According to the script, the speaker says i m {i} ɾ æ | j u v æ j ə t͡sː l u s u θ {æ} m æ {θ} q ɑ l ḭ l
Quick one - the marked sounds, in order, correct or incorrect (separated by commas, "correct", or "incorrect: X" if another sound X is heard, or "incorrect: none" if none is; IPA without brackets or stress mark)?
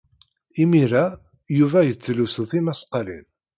correct, incorrect: i, incorrect: s